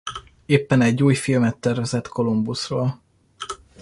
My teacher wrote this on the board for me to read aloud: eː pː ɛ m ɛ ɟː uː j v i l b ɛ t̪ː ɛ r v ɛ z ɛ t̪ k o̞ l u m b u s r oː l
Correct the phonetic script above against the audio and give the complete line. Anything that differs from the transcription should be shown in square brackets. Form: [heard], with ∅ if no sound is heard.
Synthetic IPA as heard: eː pː ɛ [n] ɛ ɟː uː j [f] i l [m] ɛ t̪ː ɛ r v ɛ z ɛ t̪ k o̞ l u m b u s r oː l